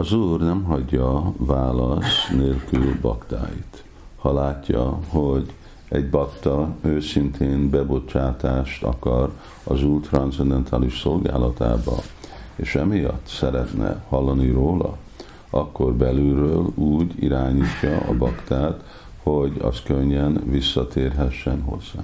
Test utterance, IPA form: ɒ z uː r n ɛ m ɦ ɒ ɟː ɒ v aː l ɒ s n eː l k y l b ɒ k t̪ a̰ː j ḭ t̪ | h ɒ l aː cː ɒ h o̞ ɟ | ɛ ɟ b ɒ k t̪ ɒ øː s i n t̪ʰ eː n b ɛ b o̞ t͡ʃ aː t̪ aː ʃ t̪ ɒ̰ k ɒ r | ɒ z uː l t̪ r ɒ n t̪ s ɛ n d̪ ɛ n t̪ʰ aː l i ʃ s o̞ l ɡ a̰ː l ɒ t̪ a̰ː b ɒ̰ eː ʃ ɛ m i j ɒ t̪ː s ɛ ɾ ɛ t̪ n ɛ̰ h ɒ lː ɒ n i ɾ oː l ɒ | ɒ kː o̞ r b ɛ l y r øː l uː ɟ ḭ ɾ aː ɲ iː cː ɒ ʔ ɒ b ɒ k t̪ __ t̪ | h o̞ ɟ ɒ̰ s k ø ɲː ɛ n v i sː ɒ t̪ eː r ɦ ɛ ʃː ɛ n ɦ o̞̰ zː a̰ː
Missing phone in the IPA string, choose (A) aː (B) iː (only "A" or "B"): A